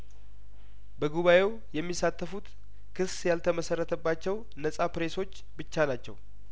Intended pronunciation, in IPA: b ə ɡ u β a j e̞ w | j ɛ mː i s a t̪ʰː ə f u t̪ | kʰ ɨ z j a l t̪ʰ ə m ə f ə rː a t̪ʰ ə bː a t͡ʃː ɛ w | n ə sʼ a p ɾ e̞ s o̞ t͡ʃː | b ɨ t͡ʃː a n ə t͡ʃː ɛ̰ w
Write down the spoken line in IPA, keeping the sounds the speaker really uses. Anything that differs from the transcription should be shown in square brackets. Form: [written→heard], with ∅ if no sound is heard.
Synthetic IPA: b ə ɡ u β a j e̞ w | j ɛ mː i s a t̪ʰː ə f u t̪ | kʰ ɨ [z→s] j a l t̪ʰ ə m ə [f→s] ə rː [a→ə] t̪ʰ ə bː a t͡ʃː ɛ w | n ə sʼ a p ɾ e̞ s o̞ t͡ʃː | b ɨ t͡ʃː a n [ə→a] t͡ʃː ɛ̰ w